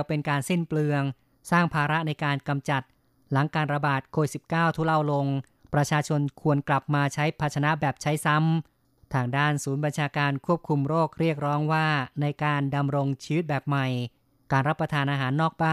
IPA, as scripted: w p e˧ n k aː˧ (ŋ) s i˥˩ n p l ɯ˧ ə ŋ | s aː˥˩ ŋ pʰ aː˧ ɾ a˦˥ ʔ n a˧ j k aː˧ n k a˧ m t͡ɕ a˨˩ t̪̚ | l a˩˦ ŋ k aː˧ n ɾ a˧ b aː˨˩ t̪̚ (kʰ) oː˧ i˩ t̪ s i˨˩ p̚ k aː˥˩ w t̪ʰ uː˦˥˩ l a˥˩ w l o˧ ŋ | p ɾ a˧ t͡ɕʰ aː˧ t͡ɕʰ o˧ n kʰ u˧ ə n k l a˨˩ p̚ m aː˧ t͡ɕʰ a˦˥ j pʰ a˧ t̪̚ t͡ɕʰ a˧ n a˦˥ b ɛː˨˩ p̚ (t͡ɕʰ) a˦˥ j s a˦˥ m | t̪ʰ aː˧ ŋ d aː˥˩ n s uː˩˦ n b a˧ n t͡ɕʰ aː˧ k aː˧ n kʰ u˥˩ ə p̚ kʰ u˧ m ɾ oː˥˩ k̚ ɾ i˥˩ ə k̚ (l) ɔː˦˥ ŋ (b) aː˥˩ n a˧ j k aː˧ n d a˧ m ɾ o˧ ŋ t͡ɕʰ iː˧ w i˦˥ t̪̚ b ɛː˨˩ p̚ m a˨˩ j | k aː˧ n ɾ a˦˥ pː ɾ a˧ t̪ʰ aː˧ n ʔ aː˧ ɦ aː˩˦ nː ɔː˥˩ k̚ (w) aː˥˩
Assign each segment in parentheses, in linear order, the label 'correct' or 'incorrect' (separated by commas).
incorrect, correct, correct, incorrect, incorrect, incorrect